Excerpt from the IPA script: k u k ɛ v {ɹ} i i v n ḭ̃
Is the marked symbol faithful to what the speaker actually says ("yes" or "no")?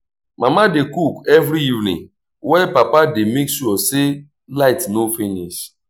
no